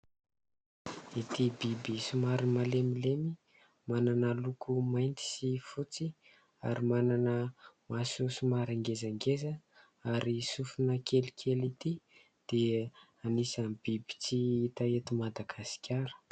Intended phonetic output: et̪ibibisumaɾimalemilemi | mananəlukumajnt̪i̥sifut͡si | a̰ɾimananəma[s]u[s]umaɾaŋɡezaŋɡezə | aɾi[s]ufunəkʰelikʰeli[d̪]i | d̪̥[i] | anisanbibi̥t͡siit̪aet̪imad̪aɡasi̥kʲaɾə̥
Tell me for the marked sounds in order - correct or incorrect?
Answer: correct, correct, correct, incorrect, incorrect

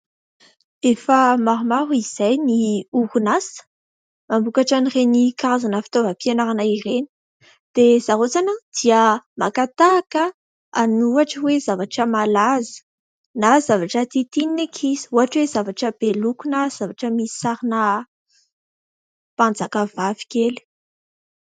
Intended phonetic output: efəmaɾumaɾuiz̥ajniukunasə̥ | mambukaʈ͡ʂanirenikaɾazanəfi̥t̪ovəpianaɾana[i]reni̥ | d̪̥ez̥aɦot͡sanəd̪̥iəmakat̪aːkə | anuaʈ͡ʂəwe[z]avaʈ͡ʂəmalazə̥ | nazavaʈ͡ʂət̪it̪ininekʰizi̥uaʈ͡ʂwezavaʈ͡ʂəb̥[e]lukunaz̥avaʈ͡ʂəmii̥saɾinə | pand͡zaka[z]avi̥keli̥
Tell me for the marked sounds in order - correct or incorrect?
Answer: correct, correct, correct, incorrect

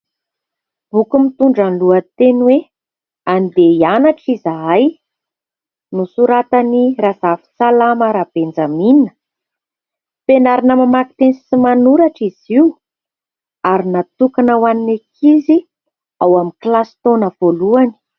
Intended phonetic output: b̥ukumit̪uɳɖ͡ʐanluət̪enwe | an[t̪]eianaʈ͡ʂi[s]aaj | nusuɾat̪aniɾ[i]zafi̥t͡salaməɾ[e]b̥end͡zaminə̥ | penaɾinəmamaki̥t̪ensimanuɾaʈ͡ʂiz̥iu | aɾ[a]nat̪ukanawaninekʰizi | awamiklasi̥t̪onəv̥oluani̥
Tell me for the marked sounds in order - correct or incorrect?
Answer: incorrect, incorrect, incorrect, incorrect, incorrect

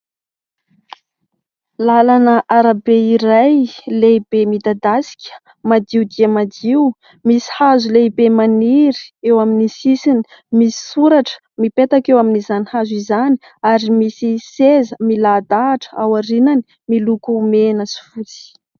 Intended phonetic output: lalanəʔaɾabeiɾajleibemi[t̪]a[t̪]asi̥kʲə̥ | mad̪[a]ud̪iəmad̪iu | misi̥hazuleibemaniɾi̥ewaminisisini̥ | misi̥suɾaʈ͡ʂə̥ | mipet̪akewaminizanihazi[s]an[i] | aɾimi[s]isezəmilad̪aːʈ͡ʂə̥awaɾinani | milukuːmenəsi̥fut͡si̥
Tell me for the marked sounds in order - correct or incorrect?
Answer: incorrect, incorrect, incorrect, incorrect, correct, correct

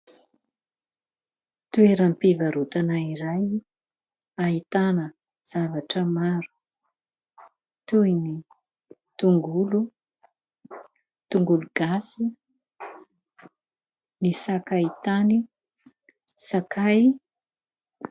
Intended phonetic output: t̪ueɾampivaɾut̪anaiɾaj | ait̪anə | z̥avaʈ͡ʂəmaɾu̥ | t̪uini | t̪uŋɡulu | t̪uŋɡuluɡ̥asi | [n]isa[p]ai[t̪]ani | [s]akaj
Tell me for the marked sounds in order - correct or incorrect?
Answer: correct, incorrect, correct, correct

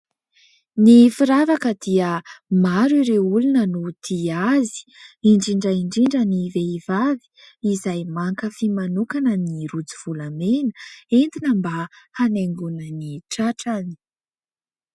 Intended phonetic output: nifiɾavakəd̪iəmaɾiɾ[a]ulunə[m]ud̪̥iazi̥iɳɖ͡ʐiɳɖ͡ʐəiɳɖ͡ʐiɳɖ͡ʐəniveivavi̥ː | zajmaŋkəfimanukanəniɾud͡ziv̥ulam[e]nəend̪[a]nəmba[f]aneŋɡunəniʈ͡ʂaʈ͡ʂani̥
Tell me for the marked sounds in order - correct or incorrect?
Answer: incorrect, incorrect, correct, incorrect, incorrect

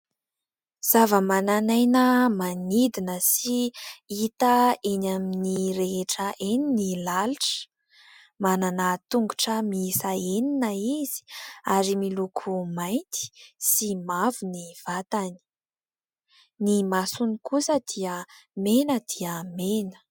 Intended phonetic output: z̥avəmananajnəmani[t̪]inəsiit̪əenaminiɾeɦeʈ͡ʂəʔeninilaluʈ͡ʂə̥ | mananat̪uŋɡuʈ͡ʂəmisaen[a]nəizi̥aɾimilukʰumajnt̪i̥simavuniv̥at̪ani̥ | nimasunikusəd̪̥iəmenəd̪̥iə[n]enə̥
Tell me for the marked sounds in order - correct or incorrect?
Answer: incorrect, incorrect, incorrect

